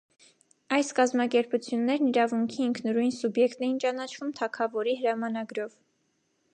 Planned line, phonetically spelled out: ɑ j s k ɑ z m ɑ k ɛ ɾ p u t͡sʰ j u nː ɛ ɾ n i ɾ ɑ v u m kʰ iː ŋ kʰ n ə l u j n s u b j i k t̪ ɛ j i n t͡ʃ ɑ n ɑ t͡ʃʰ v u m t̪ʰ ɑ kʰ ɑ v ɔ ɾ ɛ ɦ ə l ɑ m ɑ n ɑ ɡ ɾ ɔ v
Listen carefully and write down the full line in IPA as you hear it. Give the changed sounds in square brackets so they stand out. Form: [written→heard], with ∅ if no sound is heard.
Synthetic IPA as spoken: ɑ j s k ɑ z m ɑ k ɛ ɾ p u t͡sʰ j u nː ɛ ɾ n i ɾ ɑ v u [m→ŋ] kʰ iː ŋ kʰ n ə [l→ɾ] u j n s u b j [i→ɛ] k t̪ ɛ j i n t͡ʃ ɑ n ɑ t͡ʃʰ v u m t̪ʰ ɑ kʰ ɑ v ɔ ɾ [ɛ→i] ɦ ə [l→ɾ] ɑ m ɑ n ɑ ɡ ɾ ɔ v